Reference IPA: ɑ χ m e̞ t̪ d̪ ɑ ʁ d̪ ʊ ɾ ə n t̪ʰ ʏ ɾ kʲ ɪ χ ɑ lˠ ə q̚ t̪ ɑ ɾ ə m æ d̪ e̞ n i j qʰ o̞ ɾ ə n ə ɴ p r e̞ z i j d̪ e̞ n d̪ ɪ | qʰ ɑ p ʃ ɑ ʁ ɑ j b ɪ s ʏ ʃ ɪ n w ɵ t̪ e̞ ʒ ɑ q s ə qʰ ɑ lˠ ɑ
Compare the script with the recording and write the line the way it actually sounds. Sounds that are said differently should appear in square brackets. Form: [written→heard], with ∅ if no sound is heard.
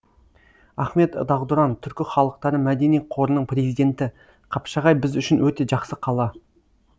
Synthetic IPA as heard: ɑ χ m e̞ t̪ d̪ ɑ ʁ d̪ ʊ ɾ [ə→ɑ] n t̪ʰ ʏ ɾ kʲ ɪ χ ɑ lˠ ə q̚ t̪ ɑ ɾ ə m æ d̪ e̞ n i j qʰ o̞ ɾ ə n ə ɴ p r e̞ z i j d̪ e̞ n [d̪→t̪] ɪ | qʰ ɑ p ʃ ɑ ʁ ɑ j b ɪ [s→z] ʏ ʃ ɪ n w ɵ t̪ e̞ ʒ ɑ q s ə qʰ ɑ lˠ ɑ